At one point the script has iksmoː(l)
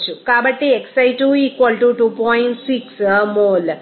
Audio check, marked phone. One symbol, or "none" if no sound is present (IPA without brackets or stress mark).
l